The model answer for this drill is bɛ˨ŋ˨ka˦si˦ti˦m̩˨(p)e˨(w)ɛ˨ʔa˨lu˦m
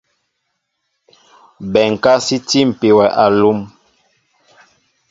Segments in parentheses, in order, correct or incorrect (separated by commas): correct, correct